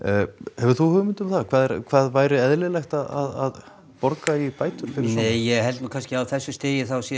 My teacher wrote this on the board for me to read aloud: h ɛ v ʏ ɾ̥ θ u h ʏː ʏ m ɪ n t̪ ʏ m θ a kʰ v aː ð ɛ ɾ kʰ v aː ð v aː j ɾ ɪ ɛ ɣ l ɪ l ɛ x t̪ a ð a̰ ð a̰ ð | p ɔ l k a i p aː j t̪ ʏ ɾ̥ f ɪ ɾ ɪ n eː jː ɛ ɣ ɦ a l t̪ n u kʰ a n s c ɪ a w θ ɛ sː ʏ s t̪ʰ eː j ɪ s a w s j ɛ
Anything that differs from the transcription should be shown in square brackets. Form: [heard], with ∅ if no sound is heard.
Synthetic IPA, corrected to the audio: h ɛ v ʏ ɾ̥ θ u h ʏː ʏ m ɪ n t̪ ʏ m θ a kʰ v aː ð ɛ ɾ kʰ v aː ð v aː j ɾ ɪ ɛ [ð] l ɪ l ɛ x t̪ a ð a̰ ð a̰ ð | p ɔ [ɾ] k a i p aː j t̪ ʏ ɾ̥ f ɪ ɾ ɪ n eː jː ɛ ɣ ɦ [ɛ] l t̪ n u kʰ a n s c ɪ a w θ ɛ sː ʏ s [t̪] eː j ɪ [θ] a w s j ɛ